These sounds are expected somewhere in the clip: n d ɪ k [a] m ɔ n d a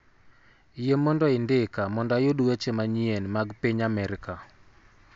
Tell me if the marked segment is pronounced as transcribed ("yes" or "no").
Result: yes